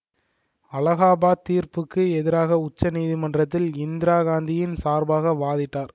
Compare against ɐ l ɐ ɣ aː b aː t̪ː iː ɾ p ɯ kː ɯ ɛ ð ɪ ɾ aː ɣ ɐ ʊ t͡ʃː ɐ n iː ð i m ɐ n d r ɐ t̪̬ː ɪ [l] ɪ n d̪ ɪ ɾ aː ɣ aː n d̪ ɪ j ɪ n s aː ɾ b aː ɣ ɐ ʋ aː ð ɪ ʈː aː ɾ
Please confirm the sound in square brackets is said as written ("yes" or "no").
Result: yes